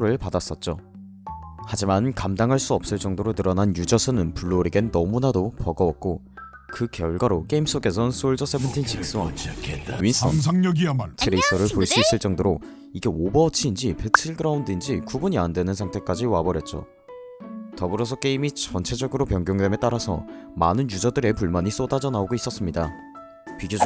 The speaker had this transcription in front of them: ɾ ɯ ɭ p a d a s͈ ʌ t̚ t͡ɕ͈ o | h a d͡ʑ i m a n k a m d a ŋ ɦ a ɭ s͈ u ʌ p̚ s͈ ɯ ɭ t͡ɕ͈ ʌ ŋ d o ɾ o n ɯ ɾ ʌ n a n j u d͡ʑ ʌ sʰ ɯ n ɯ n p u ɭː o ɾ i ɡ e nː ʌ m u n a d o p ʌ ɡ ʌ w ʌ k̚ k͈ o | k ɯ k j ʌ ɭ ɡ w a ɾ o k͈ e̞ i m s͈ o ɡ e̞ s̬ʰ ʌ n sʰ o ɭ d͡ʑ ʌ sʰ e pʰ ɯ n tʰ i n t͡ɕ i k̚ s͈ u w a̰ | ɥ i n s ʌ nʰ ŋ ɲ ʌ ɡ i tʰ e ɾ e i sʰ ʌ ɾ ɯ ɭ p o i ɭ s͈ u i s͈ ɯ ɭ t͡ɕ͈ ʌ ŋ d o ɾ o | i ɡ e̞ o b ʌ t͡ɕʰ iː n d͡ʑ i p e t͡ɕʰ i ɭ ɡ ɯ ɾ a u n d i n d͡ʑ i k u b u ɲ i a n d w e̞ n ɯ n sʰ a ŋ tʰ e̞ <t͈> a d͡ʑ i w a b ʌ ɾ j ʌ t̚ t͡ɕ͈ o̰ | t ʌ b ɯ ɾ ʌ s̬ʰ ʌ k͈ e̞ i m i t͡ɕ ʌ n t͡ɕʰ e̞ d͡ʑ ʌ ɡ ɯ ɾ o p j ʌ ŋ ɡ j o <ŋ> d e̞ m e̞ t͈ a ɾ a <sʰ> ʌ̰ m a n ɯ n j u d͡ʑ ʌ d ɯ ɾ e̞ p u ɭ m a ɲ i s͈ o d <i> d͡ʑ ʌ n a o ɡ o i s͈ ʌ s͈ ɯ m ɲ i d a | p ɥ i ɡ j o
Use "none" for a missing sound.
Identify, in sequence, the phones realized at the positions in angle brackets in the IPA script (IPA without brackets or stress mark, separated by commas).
k͈, ŋ, sʰ, a